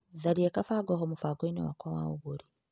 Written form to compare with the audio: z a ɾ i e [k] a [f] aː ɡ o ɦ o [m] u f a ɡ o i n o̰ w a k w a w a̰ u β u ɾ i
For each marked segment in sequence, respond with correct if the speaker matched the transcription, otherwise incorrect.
correct, correct, correct

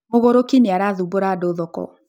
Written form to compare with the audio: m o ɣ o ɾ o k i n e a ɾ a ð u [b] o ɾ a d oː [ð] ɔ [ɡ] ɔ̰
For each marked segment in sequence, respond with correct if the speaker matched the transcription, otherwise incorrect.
correct, correct, incorrect

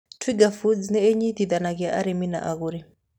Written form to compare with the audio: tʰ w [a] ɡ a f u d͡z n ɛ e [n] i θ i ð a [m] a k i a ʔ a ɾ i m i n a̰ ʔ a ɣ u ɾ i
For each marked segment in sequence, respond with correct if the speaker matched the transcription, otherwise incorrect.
incorrect, incorrect, incorrect

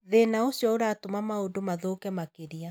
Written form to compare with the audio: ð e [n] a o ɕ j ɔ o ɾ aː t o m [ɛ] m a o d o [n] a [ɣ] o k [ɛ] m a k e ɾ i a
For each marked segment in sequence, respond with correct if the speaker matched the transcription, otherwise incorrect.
correct, incorrect, incorrect, incorrect, correct

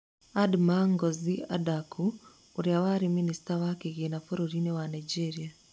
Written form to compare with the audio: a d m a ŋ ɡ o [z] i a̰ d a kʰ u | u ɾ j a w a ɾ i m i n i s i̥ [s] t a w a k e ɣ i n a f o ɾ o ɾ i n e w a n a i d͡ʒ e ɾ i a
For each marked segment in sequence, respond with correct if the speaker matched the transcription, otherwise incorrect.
correct, incorrect

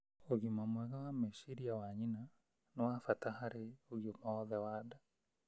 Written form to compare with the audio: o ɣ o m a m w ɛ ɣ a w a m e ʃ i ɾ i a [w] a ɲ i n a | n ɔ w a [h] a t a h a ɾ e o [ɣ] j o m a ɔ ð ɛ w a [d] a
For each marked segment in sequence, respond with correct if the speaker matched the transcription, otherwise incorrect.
correct, incorrect, correct, correct

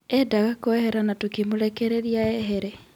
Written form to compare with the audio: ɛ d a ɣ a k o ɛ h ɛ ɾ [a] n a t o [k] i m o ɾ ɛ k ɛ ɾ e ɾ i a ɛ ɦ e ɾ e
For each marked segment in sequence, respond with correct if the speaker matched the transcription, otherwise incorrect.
correct, correct

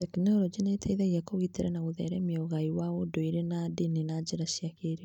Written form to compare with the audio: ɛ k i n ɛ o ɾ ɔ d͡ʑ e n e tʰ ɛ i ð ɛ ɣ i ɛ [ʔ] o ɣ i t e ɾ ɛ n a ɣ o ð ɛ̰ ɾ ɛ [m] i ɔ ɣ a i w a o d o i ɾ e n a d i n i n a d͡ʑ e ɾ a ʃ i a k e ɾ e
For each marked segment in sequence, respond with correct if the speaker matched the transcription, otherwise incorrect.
incorrect, correct

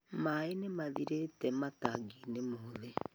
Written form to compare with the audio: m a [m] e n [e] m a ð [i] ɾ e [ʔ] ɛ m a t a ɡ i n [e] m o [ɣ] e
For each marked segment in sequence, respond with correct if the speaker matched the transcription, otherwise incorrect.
incorrect, correct, correct, incorrect, correct, incorrect

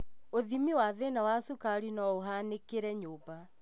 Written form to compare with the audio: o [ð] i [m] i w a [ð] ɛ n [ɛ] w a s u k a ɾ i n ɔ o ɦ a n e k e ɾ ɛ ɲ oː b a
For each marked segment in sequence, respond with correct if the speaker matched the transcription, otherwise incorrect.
correct, correct, correct, incorrect

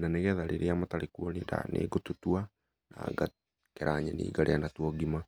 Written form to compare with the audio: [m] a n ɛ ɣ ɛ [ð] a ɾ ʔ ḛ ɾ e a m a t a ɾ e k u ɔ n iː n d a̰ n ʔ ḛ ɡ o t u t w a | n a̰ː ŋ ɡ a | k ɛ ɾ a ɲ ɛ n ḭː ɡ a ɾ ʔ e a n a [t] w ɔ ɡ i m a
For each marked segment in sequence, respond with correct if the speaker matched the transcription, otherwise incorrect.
incorrect, correct, correct

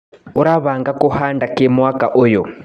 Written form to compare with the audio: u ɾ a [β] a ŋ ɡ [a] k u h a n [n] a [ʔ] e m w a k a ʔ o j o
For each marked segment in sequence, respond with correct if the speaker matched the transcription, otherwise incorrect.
correct, correct, incorrect, incorrect

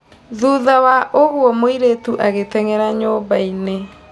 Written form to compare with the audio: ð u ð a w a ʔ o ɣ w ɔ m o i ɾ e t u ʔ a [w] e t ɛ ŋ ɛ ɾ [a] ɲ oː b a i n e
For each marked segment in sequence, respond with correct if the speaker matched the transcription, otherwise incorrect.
incorrect, correct

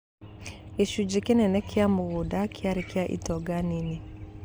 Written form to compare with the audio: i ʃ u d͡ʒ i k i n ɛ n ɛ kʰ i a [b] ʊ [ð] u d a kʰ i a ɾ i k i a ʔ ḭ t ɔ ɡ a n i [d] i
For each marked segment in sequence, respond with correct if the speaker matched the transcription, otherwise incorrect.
incorrect, incorrect, incorrect

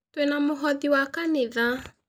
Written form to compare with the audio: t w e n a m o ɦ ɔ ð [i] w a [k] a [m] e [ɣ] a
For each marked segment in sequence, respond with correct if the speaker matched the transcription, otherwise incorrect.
correct, correct, incorrect, incorrect

